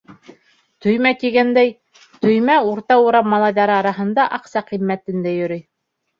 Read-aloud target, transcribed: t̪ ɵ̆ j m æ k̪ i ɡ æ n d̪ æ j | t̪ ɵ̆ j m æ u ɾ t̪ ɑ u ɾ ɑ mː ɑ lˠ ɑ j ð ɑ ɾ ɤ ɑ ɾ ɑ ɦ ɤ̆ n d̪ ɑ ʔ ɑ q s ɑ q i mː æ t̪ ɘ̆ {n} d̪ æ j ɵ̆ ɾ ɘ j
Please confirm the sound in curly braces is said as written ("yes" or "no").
yes